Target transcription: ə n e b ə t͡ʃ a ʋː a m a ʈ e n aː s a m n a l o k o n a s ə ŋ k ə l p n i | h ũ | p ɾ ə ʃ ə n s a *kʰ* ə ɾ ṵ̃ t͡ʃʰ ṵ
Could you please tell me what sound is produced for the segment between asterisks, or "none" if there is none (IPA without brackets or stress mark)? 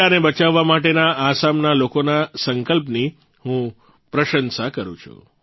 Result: k